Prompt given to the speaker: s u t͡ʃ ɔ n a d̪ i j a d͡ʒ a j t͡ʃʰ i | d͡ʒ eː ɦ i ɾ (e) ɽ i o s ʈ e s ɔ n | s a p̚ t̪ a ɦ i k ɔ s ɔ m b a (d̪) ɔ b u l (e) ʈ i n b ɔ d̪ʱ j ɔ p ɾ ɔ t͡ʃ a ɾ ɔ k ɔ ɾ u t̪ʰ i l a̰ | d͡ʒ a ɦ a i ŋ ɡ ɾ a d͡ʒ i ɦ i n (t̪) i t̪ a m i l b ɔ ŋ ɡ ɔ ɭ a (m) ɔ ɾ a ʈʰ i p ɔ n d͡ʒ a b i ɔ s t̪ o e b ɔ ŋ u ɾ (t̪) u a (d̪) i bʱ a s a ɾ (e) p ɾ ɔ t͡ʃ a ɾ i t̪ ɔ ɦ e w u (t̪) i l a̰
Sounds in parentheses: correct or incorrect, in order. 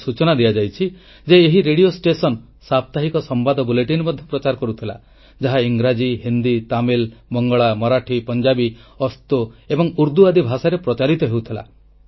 correct, correct, correct, incorrect, correct, incorrect, correct, correct, incorrect

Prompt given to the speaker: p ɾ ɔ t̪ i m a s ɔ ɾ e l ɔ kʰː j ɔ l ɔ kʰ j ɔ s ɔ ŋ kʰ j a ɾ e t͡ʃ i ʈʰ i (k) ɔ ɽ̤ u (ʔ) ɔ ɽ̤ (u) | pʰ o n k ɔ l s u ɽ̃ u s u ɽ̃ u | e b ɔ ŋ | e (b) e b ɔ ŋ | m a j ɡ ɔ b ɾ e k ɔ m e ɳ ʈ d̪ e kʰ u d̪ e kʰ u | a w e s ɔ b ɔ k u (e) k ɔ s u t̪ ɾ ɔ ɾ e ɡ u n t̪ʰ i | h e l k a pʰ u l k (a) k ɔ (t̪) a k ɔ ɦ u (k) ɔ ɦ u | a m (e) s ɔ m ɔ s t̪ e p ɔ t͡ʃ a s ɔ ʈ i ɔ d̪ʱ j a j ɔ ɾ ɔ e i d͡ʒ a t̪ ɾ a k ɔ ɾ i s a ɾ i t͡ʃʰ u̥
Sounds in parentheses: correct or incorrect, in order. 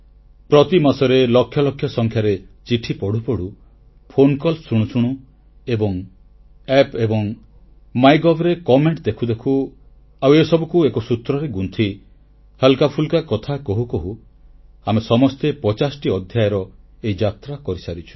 incorrect, incorrect, correct, incorrect, correct, correct, incorrect, correct, correct

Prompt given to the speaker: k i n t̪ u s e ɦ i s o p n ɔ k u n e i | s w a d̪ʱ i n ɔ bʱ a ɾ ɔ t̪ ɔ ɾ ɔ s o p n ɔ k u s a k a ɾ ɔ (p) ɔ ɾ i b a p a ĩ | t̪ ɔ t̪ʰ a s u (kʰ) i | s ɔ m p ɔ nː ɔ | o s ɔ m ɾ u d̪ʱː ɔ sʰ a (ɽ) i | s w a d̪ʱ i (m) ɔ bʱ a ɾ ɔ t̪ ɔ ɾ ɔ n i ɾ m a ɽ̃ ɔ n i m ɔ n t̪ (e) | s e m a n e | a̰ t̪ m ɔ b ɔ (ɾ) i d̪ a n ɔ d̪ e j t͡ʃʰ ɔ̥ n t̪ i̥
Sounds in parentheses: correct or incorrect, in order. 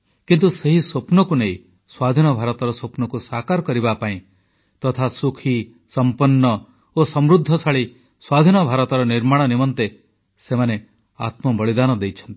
incorrect, correct, incorrect, incorrect, correct, incorrect

